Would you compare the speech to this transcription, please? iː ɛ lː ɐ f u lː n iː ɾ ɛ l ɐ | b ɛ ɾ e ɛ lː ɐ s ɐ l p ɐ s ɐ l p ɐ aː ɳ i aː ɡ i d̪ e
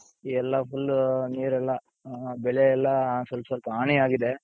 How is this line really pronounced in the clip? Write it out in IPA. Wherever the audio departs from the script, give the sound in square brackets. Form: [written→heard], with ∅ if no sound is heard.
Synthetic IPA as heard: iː ɛ lː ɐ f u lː n iː ɾ ɛ [l→lː] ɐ | b ɛ [ɾ→ɭ] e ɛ lː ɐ s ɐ l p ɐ s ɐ l p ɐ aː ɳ i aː ɡ i d̪ e